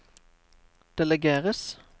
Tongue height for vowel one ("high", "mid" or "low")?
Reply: mid